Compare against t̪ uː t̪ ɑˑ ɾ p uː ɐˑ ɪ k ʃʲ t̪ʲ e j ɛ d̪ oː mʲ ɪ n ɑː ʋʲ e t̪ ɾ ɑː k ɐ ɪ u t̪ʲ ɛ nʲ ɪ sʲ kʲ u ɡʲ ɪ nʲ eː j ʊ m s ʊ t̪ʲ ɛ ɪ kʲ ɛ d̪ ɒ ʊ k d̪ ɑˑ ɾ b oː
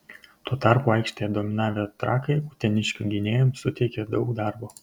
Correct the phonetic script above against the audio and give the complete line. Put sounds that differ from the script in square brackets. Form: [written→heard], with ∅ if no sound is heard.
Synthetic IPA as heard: t̪ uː t̪ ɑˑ ɾ p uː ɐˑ ɪ k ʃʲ t̪ʲ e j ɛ d̪ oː mʲ ɪ n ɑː ʋʲ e t̪ ɾ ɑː k ɐ ɪ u t̪ʲ ɛ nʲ ɪ [sʲ→ʃʲ] kʲ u ɡʲ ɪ nʲ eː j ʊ m s ʊ t̪ʲ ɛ ɪ kʲ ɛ d̪ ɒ ʊ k d̪ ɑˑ ɾ b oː